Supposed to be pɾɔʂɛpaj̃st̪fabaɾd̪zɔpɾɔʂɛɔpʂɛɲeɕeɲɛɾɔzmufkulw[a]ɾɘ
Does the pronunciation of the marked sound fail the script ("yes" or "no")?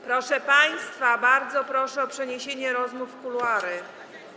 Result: no